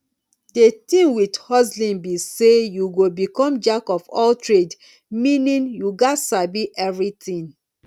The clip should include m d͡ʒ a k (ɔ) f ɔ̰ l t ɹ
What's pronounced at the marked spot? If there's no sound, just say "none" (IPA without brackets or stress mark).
ɔ